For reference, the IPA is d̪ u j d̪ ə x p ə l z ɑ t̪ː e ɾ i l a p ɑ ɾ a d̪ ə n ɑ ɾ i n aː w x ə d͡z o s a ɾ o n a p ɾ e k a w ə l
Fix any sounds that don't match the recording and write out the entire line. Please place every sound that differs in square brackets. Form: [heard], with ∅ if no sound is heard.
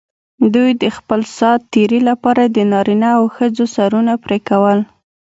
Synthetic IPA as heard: d̪ u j d̪ ə x p ə l [s] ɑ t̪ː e ɾ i l a p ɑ ɾ a d̪ ə n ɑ ɾ i n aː w x ə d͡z o s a ɾ [u] n a p ɾ e k a w ə l